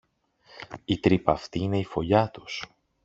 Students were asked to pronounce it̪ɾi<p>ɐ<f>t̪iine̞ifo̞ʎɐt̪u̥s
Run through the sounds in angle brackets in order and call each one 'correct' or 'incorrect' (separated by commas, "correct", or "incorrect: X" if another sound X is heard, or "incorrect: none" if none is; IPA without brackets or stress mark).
correct, correct